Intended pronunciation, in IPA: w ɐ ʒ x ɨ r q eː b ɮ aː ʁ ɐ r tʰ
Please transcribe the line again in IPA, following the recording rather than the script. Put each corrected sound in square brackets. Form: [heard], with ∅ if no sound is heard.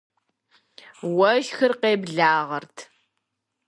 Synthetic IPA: w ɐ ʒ x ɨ r q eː b ɮ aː ʁ ɐ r tʰ